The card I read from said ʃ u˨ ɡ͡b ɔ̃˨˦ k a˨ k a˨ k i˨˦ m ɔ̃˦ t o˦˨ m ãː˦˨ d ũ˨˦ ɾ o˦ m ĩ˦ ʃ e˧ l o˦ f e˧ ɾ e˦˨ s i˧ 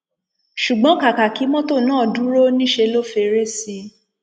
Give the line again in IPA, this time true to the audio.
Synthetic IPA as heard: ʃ u˨ ɡ͡b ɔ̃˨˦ k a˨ k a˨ k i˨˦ m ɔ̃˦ t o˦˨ n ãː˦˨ d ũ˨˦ ɾ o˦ n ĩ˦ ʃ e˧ l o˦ f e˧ ɾ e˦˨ s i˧

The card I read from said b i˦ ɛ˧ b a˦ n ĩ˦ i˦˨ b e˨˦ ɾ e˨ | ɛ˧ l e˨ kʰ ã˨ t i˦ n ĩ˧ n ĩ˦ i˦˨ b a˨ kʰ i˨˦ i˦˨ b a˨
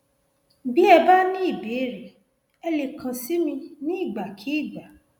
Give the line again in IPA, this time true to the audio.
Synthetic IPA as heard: b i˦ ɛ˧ b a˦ n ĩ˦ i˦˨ b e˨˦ ɾ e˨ | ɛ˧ l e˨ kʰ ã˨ s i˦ m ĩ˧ n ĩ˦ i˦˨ ɡ͡b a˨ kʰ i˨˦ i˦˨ ɡ͡b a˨

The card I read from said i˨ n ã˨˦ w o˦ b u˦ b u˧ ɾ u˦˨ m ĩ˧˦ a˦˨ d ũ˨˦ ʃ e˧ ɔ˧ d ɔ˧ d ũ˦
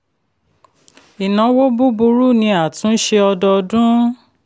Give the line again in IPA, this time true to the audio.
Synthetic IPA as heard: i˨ n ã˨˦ w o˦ b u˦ b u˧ ɾ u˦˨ n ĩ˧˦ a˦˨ t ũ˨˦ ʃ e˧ ɔ˧ d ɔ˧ d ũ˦

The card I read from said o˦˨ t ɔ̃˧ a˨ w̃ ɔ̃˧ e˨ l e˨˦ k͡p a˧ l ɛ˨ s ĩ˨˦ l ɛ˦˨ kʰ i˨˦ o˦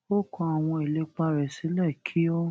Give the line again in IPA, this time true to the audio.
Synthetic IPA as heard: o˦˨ k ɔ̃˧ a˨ w̃ ɔ̃˧ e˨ l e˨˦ k͡p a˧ ɾ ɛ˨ s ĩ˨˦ l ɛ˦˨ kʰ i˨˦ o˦

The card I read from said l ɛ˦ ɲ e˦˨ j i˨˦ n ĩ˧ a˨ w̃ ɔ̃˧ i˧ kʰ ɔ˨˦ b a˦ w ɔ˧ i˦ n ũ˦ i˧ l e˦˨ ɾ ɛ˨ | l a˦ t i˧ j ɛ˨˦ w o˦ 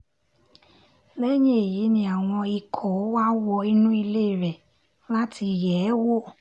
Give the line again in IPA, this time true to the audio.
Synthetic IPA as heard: l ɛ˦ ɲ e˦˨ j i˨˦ n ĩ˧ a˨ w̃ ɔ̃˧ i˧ kʰ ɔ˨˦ w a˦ w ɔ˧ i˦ n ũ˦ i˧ l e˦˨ ɾ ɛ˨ | l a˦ t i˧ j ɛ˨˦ w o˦

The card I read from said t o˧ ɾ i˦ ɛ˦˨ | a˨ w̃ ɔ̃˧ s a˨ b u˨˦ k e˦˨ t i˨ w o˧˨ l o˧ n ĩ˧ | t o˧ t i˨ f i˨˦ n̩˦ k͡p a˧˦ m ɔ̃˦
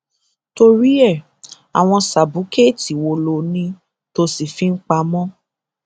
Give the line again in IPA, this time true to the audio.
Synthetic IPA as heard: t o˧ ɾ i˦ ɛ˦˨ | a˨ w̃ ɔ̃˧ s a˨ b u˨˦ k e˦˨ t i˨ w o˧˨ l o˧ n ĩ˧ | t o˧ s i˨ f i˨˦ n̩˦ k͡p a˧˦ m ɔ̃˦

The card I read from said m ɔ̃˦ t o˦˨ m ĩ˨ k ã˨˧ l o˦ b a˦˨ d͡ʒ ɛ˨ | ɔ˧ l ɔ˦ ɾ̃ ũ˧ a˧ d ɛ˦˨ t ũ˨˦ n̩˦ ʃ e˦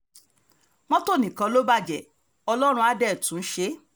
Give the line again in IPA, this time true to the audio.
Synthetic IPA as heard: m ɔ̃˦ t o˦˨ n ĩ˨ k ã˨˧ l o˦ b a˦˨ d͡ʒ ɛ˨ | ɔ˧ l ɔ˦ ɾ̃ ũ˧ a˧ d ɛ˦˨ t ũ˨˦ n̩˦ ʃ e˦

